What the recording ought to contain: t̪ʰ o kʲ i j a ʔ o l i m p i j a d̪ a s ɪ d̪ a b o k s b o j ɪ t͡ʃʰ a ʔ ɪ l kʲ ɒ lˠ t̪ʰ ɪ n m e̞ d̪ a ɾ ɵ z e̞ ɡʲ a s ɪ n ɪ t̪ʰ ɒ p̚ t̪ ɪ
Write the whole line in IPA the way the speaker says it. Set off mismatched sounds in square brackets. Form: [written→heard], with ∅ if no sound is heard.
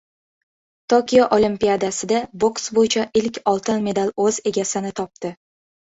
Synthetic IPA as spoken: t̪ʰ o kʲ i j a ʔ o l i m p i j a d̪ a s ɪ d̪ a b o k s b o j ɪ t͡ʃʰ a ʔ ɪ l kʲ ɒ lˠ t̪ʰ ɪ n m e̞ d̪ a [ɾ→l] ɵ z e̞ ɡʲ a s ɪ n ɪ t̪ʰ ɒ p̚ t̪ ɪ